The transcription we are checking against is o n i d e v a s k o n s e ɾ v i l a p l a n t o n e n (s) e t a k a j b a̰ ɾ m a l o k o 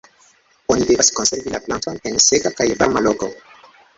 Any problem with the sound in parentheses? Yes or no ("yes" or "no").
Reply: no